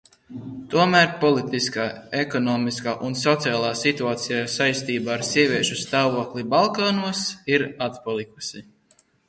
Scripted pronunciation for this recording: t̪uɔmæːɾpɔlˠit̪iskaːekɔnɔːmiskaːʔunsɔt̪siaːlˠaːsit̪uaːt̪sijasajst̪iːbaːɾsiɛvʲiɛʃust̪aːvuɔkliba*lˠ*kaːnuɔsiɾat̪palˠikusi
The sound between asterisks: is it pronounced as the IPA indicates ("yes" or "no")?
yes